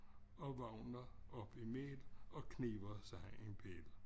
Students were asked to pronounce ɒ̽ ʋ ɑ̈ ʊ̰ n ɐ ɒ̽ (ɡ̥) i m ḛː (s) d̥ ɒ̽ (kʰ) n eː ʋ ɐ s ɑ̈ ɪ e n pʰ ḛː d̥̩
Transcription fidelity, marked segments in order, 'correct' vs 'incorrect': incorrect: b̥, incorrect: none, correct

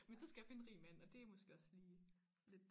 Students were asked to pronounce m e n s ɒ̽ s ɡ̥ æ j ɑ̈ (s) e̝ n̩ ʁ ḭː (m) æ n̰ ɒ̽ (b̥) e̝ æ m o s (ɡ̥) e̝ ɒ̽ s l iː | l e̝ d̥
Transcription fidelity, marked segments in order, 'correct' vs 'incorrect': incorrect: f, correct, incorrect: d̥, correct

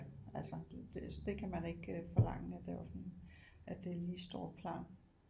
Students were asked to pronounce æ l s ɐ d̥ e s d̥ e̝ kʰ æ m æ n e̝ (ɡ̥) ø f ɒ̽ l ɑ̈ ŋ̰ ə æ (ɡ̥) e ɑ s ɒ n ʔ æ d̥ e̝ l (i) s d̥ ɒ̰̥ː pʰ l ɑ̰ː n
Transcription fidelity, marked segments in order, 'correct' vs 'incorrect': correct, incorrect: d̥, incorrect: iː

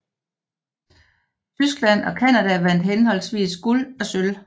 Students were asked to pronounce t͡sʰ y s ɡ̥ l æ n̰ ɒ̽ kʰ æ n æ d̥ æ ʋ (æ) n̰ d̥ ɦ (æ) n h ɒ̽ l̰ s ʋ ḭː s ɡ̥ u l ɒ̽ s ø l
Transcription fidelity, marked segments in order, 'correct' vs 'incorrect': correct, incorrect: e

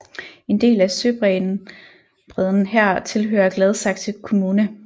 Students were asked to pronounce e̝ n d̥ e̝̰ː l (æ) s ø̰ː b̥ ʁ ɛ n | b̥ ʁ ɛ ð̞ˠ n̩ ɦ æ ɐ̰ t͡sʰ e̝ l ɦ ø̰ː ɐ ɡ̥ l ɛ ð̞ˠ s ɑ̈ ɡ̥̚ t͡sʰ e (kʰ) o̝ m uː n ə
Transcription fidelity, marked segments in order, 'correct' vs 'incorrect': correct, correct

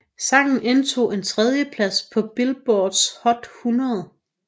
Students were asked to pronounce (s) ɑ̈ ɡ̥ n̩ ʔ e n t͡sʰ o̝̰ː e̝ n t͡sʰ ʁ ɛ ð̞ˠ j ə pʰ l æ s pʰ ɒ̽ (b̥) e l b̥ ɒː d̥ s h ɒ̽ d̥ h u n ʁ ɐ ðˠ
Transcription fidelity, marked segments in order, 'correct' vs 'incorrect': correct, correct

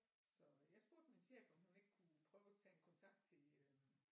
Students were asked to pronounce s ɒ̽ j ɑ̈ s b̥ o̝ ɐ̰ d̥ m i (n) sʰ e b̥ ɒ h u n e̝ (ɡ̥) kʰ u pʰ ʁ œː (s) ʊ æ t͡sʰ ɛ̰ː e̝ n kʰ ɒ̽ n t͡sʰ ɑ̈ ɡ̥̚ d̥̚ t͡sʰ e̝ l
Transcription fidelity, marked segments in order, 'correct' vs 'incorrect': correct, correct, incorrect: none

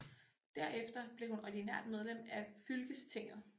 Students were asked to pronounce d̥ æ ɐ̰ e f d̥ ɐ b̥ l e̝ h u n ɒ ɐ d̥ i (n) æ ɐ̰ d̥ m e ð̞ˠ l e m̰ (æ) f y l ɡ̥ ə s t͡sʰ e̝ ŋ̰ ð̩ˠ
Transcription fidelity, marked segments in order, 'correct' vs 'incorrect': correct, correct

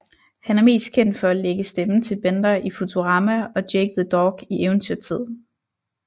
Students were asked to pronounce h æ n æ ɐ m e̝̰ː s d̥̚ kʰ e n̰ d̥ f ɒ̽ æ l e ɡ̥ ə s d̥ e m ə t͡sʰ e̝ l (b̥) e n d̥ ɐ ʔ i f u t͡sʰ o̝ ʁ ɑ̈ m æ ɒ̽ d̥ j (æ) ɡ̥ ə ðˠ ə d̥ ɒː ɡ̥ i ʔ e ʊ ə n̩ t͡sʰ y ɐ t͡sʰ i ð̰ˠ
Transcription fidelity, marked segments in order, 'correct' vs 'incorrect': correct, incorrect: e

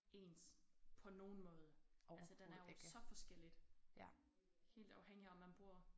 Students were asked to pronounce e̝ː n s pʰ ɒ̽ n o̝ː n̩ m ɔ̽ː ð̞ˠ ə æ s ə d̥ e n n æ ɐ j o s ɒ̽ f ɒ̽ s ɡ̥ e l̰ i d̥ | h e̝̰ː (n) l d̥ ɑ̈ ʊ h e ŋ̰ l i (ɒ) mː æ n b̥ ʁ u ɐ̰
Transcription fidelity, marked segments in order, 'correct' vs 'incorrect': incorrect: none, correct

